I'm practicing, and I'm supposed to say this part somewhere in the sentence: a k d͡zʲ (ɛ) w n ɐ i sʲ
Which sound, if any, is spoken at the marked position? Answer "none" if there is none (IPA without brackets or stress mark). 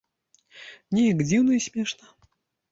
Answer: i